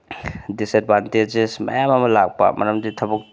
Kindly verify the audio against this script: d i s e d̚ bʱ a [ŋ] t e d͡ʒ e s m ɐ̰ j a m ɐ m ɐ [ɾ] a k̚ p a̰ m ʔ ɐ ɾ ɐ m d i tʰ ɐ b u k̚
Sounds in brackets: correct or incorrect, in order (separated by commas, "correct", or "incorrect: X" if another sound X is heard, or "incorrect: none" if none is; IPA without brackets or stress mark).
incorrect: n, incorrect: l